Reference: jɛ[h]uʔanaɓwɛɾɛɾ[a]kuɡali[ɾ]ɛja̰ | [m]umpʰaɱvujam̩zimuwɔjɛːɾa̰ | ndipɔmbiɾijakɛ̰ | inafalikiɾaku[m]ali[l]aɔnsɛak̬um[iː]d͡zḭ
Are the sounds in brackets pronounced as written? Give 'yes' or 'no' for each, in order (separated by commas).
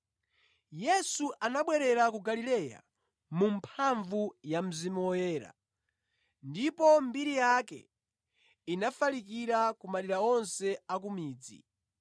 no, yes, no, yes, yes, no, yes